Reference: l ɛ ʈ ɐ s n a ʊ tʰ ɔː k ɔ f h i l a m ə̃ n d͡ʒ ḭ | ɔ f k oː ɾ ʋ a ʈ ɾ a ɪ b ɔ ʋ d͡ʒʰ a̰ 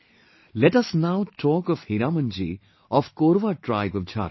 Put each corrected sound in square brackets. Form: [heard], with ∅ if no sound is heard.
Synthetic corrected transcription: l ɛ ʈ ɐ s n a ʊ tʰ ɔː k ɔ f h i [ɾ] a m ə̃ n d͡ʒ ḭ | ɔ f k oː ɾ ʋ a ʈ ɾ a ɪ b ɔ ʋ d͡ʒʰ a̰